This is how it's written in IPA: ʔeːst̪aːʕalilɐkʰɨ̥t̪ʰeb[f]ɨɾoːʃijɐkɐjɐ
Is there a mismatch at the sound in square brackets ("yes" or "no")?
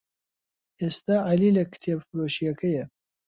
no